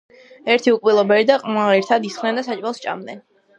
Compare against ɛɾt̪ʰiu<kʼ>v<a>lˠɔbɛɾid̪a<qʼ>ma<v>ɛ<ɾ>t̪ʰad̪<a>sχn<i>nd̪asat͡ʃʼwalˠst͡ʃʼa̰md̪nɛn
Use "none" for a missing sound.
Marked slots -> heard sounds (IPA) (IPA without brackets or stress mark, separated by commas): kʼ, i, qʼ, ʁ, ɾ, i, ɛ